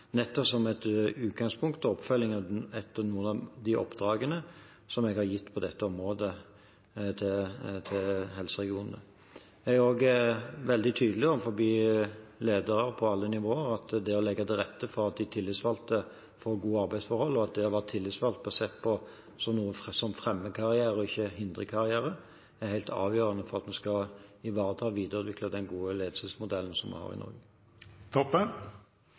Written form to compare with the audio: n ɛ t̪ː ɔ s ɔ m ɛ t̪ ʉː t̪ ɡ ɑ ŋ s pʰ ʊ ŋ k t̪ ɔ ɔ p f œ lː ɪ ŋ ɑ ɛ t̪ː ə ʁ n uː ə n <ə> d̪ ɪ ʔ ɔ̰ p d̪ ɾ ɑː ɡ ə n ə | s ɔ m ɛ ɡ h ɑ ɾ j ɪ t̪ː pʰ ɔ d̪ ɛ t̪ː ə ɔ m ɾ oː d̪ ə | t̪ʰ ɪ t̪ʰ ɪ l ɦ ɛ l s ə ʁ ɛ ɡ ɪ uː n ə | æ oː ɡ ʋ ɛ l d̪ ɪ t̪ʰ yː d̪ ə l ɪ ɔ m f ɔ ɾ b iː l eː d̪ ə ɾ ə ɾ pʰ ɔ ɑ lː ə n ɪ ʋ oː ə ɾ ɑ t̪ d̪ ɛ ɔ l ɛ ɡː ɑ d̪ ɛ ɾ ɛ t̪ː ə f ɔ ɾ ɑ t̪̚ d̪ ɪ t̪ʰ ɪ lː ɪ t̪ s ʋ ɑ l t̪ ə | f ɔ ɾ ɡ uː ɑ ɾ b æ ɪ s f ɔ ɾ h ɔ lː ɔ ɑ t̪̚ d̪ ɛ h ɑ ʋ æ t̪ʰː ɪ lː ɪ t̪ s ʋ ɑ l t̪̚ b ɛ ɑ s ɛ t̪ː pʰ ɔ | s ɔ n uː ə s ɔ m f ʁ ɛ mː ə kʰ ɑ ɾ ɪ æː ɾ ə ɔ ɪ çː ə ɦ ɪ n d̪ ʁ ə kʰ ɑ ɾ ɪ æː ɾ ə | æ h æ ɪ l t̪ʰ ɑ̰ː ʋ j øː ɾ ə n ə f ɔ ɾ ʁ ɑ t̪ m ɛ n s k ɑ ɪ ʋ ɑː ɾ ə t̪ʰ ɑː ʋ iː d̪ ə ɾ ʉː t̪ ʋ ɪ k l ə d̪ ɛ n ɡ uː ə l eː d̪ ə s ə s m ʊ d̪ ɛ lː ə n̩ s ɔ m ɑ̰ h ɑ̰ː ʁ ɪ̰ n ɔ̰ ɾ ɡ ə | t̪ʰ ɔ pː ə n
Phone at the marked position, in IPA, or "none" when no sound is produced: ɑ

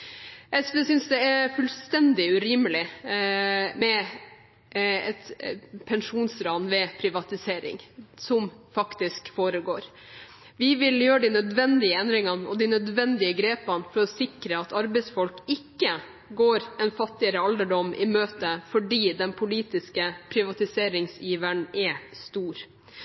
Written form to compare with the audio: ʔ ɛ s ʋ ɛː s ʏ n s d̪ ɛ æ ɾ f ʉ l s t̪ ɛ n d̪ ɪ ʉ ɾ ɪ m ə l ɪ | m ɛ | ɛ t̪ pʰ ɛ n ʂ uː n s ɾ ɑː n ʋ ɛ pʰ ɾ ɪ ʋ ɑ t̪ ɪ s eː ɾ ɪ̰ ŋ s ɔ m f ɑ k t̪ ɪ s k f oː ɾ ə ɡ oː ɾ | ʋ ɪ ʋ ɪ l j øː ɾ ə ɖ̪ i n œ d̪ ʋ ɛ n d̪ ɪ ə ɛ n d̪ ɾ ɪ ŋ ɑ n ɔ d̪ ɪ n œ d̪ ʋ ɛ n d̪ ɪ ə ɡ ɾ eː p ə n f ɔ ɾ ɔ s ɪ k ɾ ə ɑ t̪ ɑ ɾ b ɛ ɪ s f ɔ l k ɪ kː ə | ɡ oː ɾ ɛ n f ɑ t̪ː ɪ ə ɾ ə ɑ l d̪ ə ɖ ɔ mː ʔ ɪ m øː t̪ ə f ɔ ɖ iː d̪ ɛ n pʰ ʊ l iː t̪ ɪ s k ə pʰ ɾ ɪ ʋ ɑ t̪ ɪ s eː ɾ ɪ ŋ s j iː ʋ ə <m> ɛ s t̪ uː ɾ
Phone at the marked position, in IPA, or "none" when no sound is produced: ɳ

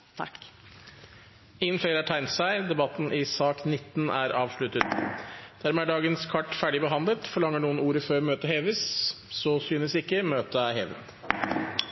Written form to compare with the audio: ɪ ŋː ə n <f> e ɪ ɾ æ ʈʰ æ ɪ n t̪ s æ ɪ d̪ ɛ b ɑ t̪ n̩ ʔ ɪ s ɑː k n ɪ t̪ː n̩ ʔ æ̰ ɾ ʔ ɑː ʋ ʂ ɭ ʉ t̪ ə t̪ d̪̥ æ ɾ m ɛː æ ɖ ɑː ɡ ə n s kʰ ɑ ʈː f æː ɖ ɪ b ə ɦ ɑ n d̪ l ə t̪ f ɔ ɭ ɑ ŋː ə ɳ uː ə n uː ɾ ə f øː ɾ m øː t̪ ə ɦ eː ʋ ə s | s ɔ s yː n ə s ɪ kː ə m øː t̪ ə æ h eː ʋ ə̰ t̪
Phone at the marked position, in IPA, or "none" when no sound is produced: f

